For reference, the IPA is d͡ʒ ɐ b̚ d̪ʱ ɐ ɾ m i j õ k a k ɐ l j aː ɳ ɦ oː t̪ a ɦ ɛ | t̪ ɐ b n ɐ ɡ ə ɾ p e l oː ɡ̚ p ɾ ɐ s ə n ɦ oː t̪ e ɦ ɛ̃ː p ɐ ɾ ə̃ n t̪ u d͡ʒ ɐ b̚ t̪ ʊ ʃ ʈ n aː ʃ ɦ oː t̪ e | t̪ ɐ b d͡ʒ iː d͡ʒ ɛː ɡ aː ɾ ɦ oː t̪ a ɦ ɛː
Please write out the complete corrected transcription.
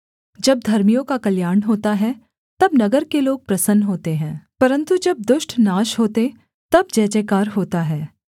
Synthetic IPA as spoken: d͡ʒ ɐ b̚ d̪ʱ ɐ ɾ m i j õ k a k ɐ l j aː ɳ ɦ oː t̪ a ɦ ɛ | t̪ ɐ b n ɐ ɡ ə ɾ k e l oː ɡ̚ p ɾ ɐ s ə n ɦ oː t̪ e ɦ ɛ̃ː p ɐ ɾ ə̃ n t̪ u d͡ʒ ɐ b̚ d̪ ʊ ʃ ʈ n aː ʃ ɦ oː t̪ e | t̪ ɐ b d͡ʒ ɛː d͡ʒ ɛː k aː ɾ ɦ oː t̪ a ɦ ɛː